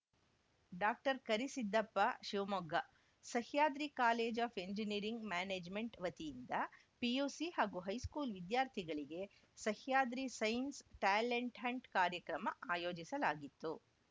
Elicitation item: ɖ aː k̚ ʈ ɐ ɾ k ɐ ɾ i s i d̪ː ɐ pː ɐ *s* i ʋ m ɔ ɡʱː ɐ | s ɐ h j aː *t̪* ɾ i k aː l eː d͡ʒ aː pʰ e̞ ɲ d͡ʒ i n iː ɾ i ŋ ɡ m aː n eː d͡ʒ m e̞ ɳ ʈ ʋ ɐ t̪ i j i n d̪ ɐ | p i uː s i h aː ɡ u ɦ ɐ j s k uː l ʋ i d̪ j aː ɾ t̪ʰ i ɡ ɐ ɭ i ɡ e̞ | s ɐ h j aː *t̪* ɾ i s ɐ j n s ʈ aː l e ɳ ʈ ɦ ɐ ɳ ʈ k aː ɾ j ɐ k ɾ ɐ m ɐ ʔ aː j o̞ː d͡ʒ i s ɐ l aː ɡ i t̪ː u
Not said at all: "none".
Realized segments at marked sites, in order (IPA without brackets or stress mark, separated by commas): ʃ, d̪, d̪